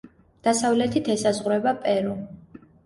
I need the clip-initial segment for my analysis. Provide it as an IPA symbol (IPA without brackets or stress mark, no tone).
d̪̥